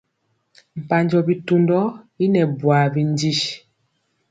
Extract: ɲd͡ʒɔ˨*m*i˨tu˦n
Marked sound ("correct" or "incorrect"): incorrect